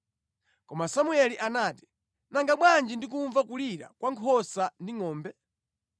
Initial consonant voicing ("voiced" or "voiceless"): voiceless